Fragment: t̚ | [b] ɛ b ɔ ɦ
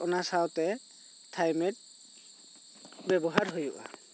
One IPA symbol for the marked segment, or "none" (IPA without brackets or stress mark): b